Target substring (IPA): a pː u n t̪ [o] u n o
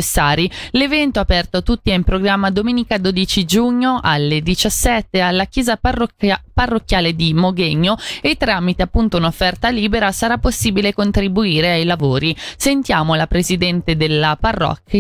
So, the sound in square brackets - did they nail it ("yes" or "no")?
yes